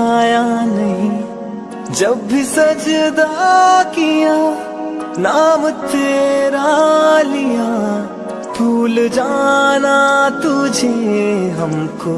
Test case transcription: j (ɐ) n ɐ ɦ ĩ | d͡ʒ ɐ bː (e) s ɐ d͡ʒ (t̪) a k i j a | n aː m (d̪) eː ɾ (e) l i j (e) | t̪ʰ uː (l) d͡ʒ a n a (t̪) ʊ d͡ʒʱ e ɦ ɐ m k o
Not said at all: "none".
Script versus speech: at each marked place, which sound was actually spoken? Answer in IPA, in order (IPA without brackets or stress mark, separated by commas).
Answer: a, i, d̪, t̪, a, a, l, t̪